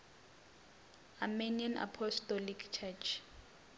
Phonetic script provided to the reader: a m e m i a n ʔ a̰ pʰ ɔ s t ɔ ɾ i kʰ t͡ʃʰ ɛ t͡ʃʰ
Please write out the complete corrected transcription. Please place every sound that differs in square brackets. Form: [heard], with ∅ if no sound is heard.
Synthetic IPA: a m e [n] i a n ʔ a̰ pʰ ɔ s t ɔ [l] i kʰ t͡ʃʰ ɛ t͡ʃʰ